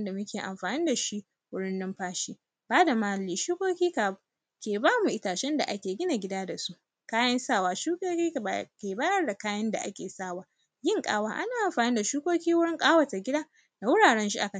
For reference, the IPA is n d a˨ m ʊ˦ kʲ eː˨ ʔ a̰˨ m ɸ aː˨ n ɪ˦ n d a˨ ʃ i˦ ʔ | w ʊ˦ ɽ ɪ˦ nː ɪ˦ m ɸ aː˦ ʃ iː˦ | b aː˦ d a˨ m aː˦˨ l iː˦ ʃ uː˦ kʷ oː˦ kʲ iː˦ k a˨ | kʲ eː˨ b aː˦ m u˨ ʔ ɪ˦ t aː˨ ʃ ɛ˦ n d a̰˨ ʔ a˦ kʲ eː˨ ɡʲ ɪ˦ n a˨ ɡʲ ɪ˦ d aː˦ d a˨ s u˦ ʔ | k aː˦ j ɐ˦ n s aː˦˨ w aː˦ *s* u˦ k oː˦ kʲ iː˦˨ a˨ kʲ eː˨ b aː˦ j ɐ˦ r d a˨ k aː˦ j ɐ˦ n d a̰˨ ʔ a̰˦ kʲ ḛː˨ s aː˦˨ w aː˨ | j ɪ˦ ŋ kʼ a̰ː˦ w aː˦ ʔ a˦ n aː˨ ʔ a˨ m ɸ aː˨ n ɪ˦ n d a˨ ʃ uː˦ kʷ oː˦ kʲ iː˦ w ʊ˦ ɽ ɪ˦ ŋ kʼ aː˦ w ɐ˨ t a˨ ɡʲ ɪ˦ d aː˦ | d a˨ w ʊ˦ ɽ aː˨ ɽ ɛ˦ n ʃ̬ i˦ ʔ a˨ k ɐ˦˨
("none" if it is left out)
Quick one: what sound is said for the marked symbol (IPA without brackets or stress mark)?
ʃ